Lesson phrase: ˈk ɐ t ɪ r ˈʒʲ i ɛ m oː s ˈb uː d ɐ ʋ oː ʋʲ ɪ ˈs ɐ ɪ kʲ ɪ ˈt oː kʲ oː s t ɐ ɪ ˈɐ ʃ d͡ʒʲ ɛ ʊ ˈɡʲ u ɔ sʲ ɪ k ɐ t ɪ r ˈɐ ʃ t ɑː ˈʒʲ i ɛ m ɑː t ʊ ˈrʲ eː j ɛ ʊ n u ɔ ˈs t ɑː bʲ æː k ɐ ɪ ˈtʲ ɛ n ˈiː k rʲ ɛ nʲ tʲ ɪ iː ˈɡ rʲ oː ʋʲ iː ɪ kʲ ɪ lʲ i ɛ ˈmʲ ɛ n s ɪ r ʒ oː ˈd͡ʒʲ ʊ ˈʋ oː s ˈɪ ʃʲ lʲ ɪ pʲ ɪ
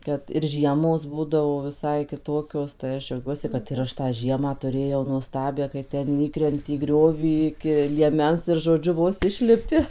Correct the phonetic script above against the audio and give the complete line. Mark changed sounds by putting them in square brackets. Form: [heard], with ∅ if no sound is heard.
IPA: ˈk ɐ t ɪ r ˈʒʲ i ɛ m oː s ˈb uː d ɐ ʋ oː ʋʲ ɪ ˈs ɐ ɪ kʲ ɪ ˈt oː kʲ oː s t ɐ ɪ ˈɐ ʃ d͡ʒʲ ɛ ʊ ˈɡʲ u ɔ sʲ ɪ k ɐ t ɪ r ˈɐ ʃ t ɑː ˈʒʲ i ɛ m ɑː t ʊ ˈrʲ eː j ɛ ʊ n u ɔ ˈs t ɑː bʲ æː k ɐ ɪ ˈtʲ ɛ n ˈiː k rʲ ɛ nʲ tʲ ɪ iː ˈɡ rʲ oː ʋʲ iː ɪ kʲ ɪ lʲ i ɛ ˈmʲ ɛ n s ɪ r ʒ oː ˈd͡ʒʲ ʊ ˈʋ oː s ˈɪ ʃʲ lʲ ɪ pʲ ɪ